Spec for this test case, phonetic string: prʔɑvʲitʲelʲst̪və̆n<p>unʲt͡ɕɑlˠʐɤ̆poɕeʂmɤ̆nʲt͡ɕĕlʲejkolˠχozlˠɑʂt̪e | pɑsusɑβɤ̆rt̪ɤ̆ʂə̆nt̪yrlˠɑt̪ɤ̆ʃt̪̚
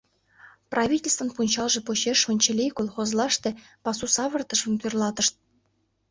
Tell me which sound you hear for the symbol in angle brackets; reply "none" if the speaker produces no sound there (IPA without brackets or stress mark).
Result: p